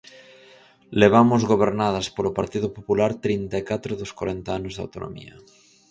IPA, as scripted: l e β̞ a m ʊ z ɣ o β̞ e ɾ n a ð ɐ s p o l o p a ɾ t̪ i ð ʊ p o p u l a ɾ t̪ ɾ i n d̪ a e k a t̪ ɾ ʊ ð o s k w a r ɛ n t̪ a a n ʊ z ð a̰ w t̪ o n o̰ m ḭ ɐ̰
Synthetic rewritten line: l e β̞ a m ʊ z ɣ o β̞ e ɾ n a ð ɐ s p o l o p a ɾ t̪ i ð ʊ p o p u l a ɾ t̪ ɾ i n t̪ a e k a t̪ ɾ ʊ ð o s k w a ɾ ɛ n t̪ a a n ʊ z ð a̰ w t̪ o n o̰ m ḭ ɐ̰

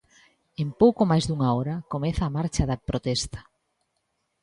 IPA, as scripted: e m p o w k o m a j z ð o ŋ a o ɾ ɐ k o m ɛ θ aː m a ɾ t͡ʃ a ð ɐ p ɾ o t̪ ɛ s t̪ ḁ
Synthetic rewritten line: e m p o w k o m a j z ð u ŋ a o ɾ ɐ k o m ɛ θ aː m a ɾ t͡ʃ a ð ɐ p ɾ o t̪ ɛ s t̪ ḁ

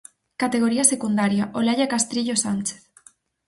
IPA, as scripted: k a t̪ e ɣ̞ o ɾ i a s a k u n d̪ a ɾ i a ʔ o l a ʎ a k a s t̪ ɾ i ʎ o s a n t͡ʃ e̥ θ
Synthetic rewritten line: k a t̪ e ɣ̞ o ɾ i a s e k u n d̪ a ɾ j a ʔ o l a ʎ a k a s t̪ ɾ i ʎ o s a n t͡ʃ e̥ θ

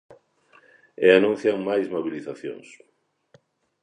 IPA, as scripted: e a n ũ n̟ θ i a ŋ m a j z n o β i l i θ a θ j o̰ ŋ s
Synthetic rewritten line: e a n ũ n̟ θ j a ŋ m a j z m o β i l i θ a θ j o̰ ŋ s

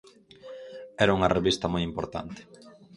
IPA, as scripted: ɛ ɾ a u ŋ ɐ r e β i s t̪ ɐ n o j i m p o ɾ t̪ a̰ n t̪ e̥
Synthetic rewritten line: ɛ ɾ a u ŋ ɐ r e β i s t̪ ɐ m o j i m p o ɾ t̪ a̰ n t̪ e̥

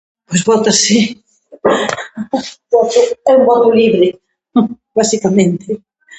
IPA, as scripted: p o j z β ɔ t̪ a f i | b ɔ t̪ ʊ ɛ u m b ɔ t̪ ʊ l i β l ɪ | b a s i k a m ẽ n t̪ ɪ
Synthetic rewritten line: p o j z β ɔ t̪ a s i | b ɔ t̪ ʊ ɛ u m b ɔ t̪ ʊ l i β ɾ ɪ | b a s i k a m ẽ n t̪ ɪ

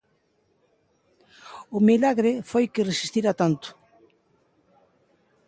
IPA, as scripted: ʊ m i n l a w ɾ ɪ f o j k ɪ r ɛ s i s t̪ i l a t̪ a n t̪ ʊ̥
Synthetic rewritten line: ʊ m i l a ɣ ɾ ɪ f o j k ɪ r e s i s t̪ i ɾ a t̪ a n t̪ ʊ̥

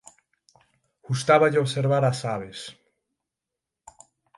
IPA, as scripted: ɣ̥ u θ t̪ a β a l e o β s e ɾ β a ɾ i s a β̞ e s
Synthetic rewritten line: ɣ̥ u s t̪ a β a ʎ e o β s e ɾ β a ɾ a s a β̞ e s

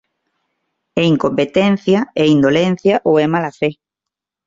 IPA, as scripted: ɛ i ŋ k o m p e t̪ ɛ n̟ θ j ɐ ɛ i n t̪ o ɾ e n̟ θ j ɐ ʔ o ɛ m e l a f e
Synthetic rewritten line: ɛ i ŋ k o m p e t̪ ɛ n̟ θ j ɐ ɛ i n d̪ o l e n̟ θ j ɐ ʔ o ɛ m a l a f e

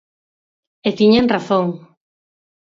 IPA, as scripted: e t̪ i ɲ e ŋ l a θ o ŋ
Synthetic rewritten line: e t̪ i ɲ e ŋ r a θ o ŋ

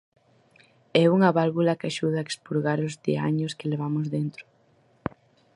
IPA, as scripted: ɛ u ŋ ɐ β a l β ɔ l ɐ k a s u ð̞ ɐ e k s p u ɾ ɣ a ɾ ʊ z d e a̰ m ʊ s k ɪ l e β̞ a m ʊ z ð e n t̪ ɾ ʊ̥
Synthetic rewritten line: ɛ u ŋ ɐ β a l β u l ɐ k a ʃ u ð̞ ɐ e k s p u ɾ ɣ a ɾ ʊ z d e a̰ ɲ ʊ s k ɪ l e β̞ a m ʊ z ð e n t̪ ɾ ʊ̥

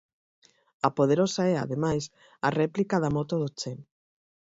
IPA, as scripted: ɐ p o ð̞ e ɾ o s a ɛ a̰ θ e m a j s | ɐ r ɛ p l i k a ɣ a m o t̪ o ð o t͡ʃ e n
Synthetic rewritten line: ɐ p o ð̞ e ɾ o s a ɛ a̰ ð e m a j s | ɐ r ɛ p l i k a ð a m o t̪ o ð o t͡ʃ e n

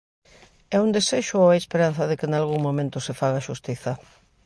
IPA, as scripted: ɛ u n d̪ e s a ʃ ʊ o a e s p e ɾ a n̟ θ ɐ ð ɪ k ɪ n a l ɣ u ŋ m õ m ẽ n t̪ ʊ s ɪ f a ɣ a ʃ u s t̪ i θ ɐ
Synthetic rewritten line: ɛ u n d̪ e s e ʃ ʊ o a e s p e ɾ a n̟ θ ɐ ð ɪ k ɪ n a l ɣ u ŋ m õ m ẽ n t̪ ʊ s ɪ f a ɣ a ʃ u s t̪ i θ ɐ

